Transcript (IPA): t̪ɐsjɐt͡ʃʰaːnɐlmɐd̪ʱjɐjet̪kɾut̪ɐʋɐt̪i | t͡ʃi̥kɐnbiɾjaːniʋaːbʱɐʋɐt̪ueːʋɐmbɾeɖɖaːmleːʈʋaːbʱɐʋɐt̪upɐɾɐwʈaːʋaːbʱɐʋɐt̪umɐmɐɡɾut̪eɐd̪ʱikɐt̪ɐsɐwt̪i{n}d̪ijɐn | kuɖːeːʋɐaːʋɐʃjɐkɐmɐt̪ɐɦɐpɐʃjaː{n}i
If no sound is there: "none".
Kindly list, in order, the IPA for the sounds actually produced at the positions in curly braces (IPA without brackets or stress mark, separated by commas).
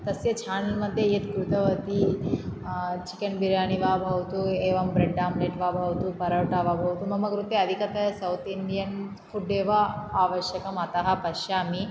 n, m